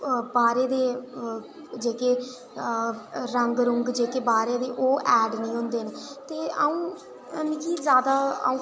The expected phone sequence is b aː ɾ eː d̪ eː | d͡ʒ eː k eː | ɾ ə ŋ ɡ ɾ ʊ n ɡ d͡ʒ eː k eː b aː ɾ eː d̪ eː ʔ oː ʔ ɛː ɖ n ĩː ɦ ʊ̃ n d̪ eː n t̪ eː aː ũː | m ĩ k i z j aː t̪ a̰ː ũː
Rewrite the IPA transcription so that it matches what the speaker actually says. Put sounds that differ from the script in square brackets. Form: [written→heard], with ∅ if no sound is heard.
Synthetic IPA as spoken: b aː ɾ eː d̪ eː | d͡ʒ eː k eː | ɾ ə ŋ ɡ ɾ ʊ [n→ŋ] ɡ d͡ʒ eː k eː b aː ɾ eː d̪ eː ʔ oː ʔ ɛː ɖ n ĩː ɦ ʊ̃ n d̪ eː n t̪ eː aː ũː | m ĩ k i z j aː [t̪→d̪] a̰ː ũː